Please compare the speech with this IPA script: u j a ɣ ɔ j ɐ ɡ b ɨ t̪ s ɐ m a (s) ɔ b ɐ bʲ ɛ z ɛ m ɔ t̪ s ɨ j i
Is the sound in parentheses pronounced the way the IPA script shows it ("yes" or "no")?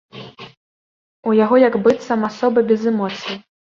yes